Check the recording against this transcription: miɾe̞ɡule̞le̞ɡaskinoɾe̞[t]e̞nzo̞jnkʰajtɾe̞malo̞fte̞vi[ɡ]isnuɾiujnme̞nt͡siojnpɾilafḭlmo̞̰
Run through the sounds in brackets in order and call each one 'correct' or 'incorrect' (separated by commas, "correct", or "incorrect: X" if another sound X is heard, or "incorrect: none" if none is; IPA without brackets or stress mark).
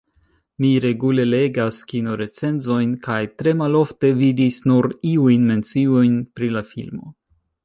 incorrect: t͡s, incorrect: d